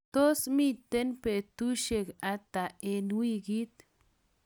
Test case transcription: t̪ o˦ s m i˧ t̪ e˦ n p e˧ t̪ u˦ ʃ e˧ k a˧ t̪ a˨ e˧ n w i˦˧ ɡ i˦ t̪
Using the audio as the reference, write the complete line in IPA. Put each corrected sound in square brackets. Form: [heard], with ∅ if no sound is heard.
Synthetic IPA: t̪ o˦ s m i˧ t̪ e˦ n p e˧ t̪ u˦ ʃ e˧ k a˧ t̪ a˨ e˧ n w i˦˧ ɡ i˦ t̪